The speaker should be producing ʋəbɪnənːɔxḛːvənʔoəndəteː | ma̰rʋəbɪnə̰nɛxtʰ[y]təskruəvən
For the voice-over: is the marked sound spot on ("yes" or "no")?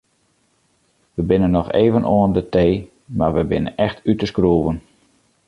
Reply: yes